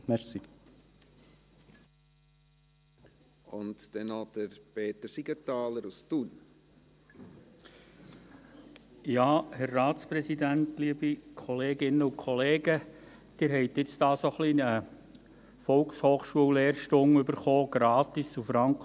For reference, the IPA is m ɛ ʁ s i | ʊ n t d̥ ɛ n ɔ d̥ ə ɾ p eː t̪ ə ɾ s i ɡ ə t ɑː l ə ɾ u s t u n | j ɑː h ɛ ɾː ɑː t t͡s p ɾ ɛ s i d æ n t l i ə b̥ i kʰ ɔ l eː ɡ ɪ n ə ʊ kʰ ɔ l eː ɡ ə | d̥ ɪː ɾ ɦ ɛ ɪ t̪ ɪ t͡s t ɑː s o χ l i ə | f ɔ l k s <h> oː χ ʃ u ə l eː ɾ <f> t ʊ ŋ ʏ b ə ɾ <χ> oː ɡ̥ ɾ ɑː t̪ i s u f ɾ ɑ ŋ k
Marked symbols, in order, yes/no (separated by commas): yes, no, yes